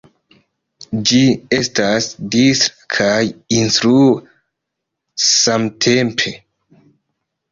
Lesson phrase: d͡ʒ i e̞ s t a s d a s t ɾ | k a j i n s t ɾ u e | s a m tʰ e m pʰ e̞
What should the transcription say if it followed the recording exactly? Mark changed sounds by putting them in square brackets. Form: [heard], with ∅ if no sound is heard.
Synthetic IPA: d͡ʒ i e̞ s t a s d [i] s t ɾ | [kʰ] a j i n s t ɾ u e | s a m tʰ e m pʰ e̞